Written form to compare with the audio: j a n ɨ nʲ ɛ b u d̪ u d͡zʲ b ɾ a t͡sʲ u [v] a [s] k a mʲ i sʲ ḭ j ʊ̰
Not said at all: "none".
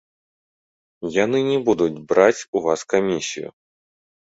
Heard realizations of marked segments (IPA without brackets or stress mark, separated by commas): v, s